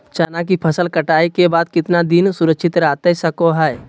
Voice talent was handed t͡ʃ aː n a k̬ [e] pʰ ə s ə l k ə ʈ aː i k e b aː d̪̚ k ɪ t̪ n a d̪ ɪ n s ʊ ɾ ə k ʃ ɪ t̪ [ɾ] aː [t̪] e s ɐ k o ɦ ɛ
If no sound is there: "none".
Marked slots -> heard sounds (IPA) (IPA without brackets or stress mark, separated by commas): i, ɾ, t̪